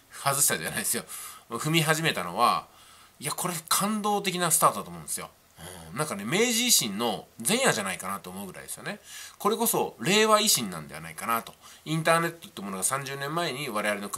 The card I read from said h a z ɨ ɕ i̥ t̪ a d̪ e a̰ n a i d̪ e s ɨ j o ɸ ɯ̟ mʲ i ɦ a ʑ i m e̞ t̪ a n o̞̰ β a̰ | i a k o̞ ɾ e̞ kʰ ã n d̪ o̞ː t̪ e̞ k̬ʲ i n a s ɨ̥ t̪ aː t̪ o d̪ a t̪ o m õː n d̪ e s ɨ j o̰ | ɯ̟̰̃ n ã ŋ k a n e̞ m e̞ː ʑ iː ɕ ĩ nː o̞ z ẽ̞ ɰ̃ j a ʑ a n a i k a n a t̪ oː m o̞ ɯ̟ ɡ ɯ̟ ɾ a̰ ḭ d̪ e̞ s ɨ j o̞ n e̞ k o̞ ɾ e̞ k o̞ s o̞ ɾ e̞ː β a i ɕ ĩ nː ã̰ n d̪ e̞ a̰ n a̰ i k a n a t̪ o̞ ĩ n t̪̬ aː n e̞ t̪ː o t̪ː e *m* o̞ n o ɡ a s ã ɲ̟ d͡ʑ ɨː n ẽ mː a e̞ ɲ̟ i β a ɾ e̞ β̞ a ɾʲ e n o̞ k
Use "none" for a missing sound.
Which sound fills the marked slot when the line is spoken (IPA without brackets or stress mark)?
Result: m